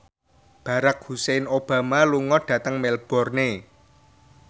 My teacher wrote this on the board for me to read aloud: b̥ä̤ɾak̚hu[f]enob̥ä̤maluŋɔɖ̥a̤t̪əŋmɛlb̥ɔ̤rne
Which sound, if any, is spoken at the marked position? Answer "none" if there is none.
s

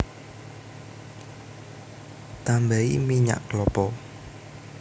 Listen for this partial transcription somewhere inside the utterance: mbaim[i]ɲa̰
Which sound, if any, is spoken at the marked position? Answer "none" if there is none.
i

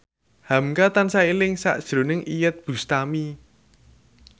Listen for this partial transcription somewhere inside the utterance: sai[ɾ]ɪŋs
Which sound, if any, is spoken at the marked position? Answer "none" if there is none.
l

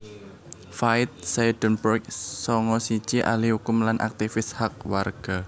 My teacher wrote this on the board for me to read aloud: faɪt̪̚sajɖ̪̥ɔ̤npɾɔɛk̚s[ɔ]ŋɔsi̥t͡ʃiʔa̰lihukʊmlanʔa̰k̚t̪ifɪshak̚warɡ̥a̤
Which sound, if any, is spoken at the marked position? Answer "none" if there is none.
ɔ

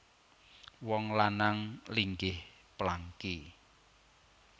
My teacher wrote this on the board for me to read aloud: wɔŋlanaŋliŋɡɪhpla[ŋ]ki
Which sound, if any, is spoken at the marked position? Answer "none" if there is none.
ŋ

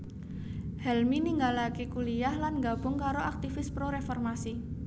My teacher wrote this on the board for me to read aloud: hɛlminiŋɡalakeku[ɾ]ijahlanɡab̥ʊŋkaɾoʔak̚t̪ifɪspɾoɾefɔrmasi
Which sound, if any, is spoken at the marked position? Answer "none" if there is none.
l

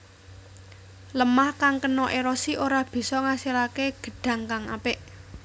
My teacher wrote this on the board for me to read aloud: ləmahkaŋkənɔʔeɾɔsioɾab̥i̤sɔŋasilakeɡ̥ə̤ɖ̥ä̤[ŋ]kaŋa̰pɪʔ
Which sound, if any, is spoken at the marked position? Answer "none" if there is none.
ŋ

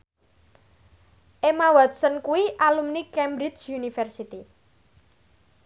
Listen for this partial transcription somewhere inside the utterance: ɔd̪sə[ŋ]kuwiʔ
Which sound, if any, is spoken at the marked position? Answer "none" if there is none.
n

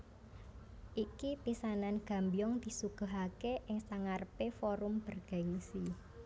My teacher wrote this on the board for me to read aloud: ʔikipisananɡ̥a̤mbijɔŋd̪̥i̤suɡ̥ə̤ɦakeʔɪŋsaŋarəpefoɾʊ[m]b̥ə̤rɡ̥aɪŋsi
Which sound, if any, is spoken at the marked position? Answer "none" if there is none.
m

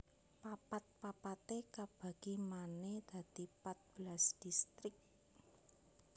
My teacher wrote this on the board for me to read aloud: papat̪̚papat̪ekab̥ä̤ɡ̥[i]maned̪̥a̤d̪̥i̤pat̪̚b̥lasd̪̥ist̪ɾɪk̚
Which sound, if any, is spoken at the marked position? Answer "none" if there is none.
i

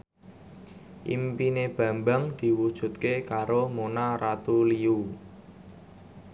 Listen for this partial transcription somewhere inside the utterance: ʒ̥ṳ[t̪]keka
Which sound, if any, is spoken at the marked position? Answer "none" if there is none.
t̪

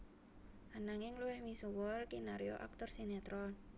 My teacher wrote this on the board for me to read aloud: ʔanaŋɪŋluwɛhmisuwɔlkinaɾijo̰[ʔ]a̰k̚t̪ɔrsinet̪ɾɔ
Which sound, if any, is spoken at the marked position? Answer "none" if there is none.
ʔ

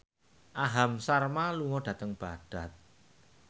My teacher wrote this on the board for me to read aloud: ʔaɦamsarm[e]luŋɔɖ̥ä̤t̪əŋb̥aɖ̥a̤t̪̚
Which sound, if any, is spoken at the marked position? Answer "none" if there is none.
a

